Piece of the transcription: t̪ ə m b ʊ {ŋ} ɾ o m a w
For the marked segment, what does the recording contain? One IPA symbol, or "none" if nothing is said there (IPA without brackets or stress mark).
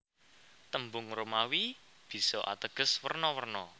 ŋ